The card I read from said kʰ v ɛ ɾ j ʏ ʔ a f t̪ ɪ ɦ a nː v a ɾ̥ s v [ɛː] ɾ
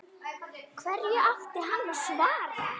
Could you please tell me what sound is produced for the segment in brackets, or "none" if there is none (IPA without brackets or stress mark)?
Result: aː